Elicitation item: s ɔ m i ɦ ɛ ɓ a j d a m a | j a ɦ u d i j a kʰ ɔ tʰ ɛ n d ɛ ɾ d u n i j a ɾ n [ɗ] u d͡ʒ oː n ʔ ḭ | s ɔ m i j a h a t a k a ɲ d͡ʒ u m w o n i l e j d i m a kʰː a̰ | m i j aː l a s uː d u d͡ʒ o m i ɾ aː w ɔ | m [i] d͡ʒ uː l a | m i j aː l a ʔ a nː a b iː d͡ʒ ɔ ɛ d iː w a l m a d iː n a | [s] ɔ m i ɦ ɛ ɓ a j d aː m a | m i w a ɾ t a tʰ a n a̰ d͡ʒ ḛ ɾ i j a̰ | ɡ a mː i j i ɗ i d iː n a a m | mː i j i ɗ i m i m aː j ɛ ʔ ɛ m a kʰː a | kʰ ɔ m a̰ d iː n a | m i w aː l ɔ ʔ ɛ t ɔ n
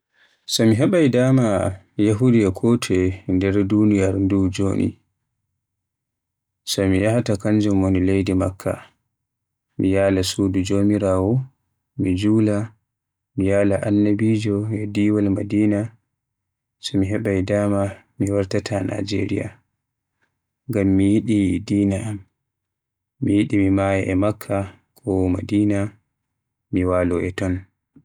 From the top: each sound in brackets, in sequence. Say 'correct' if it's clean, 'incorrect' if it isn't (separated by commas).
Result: incorrect, correct, correct